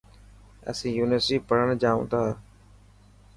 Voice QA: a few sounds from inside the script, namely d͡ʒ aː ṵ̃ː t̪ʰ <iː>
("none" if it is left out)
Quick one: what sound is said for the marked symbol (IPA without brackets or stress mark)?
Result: aː